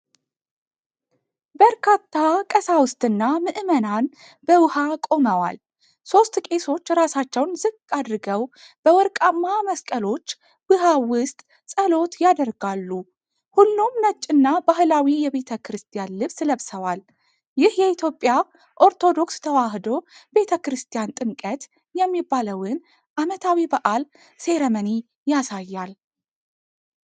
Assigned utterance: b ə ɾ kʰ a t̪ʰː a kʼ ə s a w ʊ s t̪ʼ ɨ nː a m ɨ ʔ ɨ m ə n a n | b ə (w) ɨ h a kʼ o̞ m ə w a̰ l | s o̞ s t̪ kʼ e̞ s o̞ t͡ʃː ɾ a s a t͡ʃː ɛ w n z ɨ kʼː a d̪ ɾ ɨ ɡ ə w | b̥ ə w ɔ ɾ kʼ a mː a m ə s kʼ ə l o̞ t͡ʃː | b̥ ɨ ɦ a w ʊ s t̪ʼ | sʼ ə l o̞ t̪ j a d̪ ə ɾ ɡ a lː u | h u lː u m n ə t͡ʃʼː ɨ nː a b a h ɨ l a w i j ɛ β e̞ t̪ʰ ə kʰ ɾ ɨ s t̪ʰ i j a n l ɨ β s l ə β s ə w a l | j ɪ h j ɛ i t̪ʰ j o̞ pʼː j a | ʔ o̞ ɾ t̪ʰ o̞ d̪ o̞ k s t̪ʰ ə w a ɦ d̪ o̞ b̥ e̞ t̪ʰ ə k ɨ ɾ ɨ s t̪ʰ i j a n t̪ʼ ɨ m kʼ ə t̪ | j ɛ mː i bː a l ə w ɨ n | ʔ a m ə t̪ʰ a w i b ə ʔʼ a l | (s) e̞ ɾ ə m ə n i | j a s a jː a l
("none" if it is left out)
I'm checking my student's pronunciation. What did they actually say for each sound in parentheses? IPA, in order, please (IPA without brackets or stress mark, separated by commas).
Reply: w, s